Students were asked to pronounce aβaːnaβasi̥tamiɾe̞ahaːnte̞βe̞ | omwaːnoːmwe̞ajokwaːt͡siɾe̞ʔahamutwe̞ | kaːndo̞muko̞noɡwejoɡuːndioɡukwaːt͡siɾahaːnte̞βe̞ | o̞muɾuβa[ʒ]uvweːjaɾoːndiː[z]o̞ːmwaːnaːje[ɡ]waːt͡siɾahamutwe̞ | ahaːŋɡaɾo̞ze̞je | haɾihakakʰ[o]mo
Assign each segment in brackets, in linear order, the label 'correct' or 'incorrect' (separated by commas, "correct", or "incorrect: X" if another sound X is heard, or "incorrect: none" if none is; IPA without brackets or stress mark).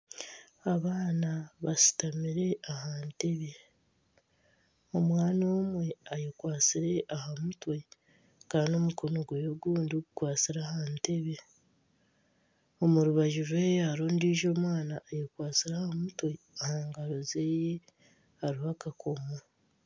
correct, incorrect: ʒ, incorrect: k, correct